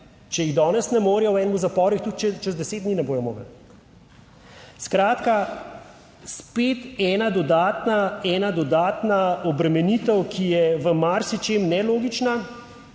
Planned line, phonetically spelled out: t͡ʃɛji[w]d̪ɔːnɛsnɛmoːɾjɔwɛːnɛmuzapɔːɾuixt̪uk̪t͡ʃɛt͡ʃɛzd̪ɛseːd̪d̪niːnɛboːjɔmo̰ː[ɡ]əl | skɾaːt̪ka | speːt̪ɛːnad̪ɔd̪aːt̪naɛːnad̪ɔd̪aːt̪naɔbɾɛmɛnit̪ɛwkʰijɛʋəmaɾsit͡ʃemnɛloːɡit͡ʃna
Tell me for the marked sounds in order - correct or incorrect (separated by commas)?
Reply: incorrect, correct